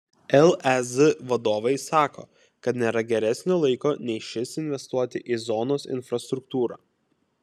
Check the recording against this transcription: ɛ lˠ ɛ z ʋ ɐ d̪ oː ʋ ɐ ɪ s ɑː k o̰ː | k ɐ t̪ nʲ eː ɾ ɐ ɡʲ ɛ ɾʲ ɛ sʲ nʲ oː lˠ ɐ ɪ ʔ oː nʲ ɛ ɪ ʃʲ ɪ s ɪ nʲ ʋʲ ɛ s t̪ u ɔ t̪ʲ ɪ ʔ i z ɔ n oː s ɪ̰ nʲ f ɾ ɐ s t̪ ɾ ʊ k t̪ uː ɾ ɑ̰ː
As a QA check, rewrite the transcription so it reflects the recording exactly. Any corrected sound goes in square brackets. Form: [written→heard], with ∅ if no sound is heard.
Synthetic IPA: ɛ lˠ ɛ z ʋ ɐ d̪ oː ʋ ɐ ɪ s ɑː k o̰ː | k ɐ t̪ nʲ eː ɾ ɐ ɡʲ ɛ ɾʲ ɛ sʲ nʲ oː lˠ ɐ ɪ [ʔ→k] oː nʲ ɛ ɪ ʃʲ ɪ s ɪ nʲ ʋʲ ɛ s t̪ u ɔ t̪ʲ ɪ ʔ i z ɔ n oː s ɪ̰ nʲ f ɾ ɐ s t̪ ɾ ʊ k t̪ uː ɾ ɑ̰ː

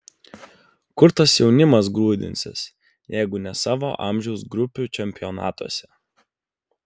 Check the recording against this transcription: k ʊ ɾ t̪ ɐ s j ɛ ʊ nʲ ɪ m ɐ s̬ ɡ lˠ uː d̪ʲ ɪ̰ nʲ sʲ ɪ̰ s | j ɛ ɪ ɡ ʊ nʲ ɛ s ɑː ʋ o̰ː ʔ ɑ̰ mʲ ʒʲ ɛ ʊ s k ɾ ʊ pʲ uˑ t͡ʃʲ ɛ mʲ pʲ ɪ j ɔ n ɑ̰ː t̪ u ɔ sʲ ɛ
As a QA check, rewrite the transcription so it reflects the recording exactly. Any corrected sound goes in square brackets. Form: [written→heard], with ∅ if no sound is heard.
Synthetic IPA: k ʊ ɾ t̪ ɐ s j ɛ ʊ nʲ ɪ m ɐ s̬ ɡ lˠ uː d̪ʲ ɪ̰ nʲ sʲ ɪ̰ s | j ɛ ɪ ɡ ʊ nʲ ɛ s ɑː ʋ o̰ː ʔ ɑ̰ mʲ ʒʲ ɛ ʊ s [k→ɡ] ɾ ʊ pʲ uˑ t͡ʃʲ ɛ mʲ pʲ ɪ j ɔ n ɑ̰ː t̪ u ɔ sʲ ɛ

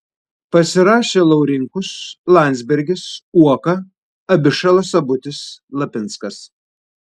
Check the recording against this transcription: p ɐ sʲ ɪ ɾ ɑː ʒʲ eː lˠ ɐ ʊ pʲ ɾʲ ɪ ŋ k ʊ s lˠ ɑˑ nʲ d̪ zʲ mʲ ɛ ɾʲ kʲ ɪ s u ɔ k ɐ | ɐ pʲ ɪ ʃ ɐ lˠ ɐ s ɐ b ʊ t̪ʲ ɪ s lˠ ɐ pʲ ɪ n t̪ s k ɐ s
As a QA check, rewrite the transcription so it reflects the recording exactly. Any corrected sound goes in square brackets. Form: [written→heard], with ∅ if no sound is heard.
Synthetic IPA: p ɐ sʲ ɪ ɾ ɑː [ʒʲ→ʃʲ] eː lˠ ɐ ʊ [pʲ→∅] ɾʲ ɪ ŋ k ʊ s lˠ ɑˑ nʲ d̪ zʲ [mʲ→bʲ] ɛ ɾʲ [kʲ→ɡʲ] ɪ s u ɔ k ɐ | ɐ [pʲ→bʲ] ɪ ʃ ɐ lˠ ɐ s ɐ b ʊ t̪ʲ ɪ s lˠ ɐ pʲ ɪ n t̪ s k ɐ s

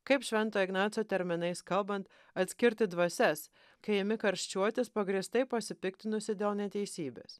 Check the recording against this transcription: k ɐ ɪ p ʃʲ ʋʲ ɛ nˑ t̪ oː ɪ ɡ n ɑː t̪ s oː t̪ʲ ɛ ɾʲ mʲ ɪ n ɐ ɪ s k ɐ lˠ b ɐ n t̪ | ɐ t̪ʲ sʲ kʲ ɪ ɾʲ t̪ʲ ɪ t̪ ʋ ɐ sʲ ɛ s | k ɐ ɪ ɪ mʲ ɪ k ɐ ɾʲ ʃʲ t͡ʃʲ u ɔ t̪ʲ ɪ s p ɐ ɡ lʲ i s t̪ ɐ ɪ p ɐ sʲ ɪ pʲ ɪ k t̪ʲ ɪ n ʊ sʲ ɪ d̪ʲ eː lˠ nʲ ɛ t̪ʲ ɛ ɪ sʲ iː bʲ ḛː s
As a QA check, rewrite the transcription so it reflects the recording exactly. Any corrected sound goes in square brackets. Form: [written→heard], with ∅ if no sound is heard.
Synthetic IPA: k ɐ ɪ p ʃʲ ʋʲ ɛ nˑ t̪ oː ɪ ɡ n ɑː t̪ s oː t̪ʲ ɛ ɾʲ mʲ ɪ n ɐ ɪ s k ɐ lˠ b ɐ n t̪ | ɐ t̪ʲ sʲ kʲ ɪ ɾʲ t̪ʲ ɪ [t̪→d̪] ʋ ɐ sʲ ɛ s | k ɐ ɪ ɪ mʲ ɪ k ɐ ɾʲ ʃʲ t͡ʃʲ u ɔ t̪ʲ ɪ s p ɐ ɡ [lʲ→ɾʲ] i s t̪ ɐ ɪ p ɐ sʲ ɪ pʲ ɪ k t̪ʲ ɪ n ʊ sʲ ɪ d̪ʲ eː lˠ nʲ ɛ t̪ʲ ɛ ɪ sʲ iː bʲ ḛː s

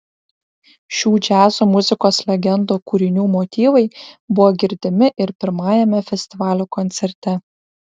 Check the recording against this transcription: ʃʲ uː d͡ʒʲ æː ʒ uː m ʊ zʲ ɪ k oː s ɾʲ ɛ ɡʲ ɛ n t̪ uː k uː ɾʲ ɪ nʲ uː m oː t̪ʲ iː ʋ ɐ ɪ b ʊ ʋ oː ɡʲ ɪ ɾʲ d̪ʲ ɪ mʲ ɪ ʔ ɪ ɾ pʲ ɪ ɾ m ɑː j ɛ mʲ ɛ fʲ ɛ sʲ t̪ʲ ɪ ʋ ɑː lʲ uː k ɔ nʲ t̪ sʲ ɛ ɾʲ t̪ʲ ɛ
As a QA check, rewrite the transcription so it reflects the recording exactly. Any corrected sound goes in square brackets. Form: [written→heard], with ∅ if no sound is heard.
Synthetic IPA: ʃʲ uː d͡ʒʲ æː [ʒ→z] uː m ʊ zʲ ɪ k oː s [ɾʲ→lʲ] ɛ ɡʲ ɛ n [t̪→d̪] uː k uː ɾʲ ɪ nʲ uː m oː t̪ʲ iː ʋ ɐ ɪ b ʊ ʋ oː ɡʲ ɪ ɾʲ d̪ʲ ɪ mʲ ɪ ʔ ɪ ɾ pʲ ɪ ɾ m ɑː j ɛ mʲ ɛ fʲ ɛ sʲ t̪ʲ ɪ ʋ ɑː lʲ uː k ɔ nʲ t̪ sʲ ɛ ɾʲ t̪ʲ ɛ

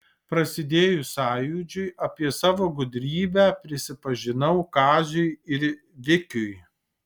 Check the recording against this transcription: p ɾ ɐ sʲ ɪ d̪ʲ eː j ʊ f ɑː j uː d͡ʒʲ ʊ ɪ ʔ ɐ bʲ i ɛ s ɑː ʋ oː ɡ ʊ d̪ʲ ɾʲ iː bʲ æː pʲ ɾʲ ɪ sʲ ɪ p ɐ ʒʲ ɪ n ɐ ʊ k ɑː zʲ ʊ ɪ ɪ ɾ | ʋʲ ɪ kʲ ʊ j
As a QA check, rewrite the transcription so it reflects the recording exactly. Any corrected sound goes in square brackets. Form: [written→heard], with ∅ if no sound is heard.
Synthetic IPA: p ɾ ɐ sʲ ɪ d̪ʲ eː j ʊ [f→s] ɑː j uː d͡ʒʲ ʊ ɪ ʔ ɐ [bʲ→pʲ] i ɛ s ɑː ʋ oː ɡ ʊ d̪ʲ ɾʲ iː bʲ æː pʲ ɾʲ ɪ sʲ ɪ p ɐ ʒʲ ɪ n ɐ ʊ k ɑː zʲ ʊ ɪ ɪ ɾ | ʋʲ ɪ kʲ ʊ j

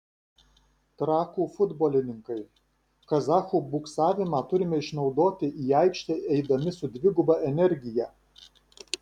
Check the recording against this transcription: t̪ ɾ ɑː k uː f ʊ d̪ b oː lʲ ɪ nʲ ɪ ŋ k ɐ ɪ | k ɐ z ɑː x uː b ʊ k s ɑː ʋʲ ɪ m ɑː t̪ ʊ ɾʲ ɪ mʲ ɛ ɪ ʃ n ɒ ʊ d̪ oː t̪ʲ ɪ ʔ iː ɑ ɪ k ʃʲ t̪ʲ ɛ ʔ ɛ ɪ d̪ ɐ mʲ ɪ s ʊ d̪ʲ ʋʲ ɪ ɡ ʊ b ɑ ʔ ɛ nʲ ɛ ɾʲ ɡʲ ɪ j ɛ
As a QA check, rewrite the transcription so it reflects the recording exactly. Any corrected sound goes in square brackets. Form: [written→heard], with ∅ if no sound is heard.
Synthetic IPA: t̪ ɾ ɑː k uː f ʊ d̪ b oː lʲ ɪ nʲ ɪ ŋ k ɐ ɪ | k ɐ z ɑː x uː b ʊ k s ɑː ʋʲ ɪ m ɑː t̪ ʊ ɾʲ ɪ mʲ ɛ ɪ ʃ n ɒ ʊ d̪ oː t̪ʲ ɪ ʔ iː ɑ ɪ k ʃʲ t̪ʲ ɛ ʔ ɛ ɪ d̪ ɐ mʲ ɪ s ʊ d̪ʲ ʋʲ ɪ ɡ ʊ b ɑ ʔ ɛ nʲ ɛ ɾʲ ɡʲ ɪ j ɛ

